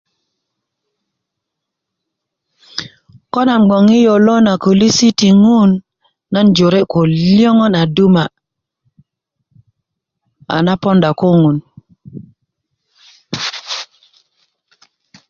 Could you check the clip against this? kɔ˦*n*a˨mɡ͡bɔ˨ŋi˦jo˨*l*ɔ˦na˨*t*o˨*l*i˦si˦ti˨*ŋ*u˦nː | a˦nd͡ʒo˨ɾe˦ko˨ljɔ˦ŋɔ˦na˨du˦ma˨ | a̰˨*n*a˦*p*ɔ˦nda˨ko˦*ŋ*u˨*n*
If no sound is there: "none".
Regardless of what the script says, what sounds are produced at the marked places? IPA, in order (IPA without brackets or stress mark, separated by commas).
n, l, k, l, ŋ, n, p, ŋ, n